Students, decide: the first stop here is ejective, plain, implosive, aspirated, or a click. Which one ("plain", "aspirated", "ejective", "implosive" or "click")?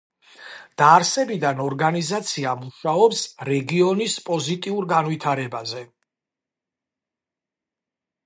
plain